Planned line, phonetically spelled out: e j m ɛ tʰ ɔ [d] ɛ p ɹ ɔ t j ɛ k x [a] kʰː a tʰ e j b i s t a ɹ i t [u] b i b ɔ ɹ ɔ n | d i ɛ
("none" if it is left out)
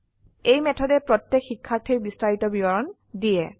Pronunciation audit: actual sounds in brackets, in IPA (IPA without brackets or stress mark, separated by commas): d, i, ɔ